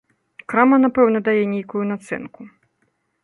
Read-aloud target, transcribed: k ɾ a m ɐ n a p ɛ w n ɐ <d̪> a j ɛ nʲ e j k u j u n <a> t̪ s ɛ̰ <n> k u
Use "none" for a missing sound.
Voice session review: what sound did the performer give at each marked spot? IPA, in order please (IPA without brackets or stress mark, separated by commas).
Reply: d̪, a, n